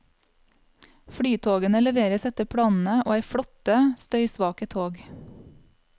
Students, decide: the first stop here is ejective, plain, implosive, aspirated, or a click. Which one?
aspirated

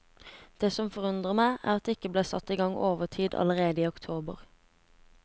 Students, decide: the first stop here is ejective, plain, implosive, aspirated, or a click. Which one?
plain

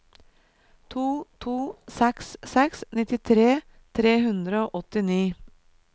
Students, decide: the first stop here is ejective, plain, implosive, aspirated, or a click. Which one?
aspirated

